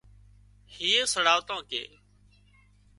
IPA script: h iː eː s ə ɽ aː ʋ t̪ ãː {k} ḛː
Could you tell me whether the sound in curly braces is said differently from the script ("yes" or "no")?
no